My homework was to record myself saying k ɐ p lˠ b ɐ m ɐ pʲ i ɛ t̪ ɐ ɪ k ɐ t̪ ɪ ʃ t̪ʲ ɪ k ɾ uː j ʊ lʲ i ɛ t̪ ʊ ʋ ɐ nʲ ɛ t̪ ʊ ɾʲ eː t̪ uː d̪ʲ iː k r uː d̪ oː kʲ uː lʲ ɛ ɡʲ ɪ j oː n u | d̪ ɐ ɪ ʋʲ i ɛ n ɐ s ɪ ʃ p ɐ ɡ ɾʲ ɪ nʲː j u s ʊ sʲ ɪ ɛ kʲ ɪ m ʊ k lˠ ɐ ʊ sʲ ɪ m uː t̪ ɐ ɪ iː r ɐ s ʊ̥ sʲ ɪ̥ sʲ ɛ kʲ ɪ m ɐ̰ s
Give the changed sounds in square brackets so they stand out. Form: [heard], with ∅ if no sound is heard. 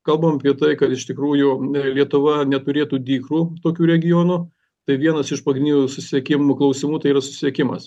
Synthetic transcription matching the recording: k ɐ [∅] lˠ b ɐ m ɐ pʲ i ɛ t̪ ɐ ɪ k ɐ t̪ ɪ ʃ t̪ʲ ɪ k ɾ uː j ʊ lʲ i ɛ t̪ ʊ ʋ ɐ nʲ ɛ t̪ ʊ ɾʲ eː t̪ uː d̪ʲ iː k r uː [t̪] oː kʲ uː [ɾʲ] ɛ ɡʲ ɪ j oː n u | [t̪] ɐ ɪ ʋʲ i ɛ n ɐ s ɪ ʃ p ɐ ɡ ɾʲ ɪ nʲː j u s ʊ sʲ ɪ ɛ kʲ ɪ m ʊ k lˠ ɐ ʊ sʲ ɪ m uː t̪ ɐ ɪ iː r ɐ s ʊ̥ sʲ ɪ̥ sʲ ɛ kʲ ɪ m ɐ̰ s